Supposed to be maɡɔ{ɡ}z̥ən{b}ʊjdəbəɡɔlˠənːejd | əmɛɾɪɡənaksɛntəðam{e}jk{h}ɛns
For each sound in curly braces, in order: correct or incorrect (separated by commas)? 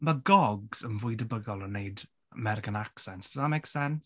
correct, incorrect, correct, incorrect